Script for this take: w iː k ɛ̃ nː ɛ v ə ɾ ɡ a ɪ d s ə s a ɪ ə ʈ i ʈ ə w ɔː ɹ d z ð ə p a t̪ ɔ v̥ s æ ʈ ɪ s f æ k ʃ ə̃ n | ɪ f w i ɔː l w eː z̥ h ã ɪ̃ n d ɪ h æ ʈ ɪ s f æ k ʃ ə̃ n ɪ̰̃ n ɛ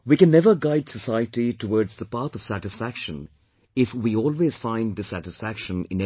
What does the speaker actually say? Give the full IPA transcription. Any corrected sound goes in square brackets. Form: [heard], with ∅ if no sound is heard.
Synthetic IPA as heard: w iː k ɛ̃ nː ɛ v ə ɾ ɡ a ɪ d s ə s a ɪ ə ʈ i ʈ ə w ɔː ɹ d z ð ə p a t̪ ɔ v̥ s æ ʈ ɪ s f æ k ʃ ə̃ n | ɪ f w i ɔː l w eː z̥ [f] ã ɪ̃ n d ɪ [s] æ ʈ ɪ s f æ k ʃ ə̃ n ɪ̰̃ n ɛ